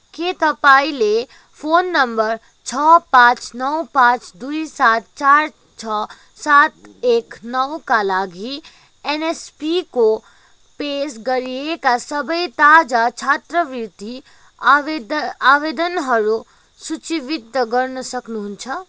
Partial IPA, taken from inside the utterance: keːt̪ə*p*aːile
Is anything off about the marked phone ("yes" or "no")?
no